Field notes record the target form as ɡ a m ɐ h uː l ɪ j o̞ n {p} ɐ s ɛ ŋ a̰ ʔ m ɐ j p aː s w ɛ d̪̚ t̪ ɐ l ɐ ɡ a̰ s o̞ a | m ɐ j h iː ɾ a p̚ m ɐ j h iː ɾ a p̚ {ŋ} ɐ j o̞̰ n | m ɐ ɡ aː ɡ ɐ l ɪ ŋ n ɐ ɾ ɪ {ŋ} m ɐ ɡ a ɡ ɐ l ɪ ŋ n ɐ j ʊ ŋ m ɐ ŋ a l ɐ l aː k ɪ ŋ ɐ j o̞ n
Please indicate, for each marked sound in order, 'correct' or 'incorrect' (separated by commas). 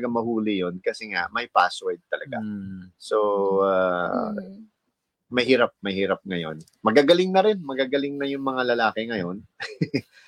incorrect, correct, incorrect